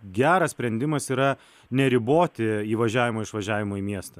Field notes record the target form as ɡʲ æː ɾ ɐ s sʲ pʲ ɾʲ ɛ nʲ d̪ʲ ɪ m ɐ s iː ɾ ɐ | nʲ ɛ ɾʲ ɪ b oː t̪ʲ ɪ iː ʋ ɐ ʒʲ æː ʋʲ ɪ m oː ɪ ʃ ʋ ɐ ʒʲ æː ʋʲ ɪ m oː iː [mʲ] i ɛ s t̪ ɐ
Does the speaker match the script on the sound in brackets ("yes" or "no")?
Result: yes